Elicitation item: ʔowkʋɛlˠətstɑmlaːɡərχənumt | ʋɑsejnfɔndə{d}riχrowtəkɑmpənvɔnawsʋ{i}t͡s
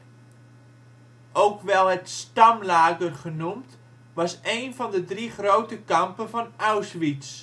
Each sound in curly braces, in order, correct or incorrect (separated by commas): correct, correct